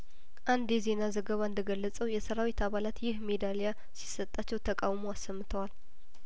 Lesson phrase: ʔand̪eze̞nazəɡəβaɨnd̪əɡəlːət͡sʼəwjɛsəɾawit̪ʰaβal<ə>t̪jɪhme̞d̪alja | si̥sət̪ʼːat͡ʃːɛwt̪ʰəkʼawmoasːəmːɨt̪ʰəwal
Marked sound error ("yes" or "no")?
yes